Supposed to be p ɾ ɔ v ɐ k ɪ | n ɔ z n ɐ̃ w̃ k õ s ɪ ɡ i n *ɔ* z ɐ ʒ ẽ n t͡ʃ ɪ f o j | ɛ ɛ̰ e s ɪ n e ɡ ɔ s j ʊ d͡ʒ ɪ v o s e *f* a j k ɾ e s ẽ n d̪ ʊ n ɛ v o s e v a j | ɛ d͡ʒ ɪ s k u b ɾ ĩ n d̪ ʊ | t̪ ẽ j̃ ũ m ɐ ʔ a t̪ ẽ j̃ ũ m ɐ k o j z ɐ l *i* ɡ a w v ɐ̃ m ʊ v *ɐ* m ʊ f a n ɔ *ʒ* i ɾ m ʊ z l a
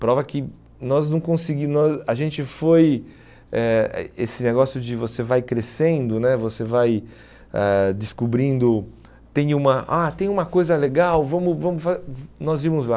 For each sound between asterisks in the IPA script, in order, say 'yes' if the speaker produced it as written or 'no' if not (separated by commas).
yes, no, no, no, no